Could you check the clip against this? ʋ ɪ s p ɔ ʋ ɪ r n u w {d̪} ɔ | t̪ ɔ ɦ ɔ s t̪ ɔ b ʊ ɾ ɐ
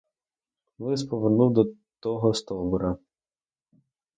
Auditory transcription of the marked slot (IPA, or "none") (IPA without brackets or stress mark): d̪